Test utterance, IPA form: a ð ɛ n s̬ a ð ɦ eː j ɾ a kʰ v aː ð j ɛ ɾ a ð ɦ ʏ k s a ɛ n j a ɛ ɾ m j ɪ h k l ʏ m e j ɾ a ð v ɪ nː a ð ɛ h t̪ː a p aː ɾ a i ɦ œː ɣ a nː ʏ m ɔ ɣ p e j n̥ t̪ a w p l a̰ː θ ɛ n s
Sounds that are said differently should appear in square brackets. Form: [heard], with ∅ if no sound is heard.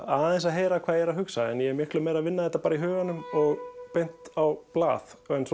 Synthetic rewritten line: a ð ɛ n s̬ a ð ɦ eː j ɾ a kʰ v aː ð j ɛ ɾ a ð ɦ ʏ k s a ɛ n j [ɛ] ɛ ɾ m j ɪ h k l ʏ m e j ɾ a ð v ɪ nː a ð ɛ h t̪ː a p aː ɾ a i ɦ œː ɣ a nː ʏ m ɔ ɣ p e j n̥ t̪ a w p l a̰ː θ ɛ n s